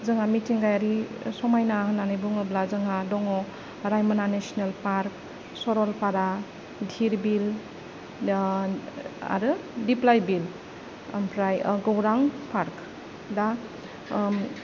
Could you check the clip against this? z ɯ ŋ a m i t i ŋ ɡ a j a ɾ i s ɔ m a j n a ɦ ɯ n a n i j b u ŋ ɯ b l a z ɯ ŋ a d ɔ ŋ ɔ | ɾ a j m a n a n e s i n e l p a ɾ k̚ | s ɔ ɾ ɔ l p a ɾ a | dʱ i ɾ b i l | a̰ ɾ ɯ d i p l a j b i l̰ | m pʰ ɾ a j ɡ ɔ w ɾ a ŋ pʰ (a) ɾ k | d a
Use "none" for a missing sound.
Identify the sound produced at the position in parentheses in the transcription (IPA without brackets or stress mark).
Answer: a